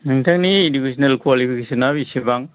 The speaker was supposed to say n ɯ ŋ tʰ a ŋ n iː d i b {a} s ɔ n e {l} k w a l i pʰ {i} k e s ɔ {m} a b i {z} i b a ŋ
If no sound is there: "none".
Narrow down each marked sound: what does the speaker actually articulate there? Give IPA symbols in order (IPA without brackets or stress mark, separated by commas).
i, l, i, n, s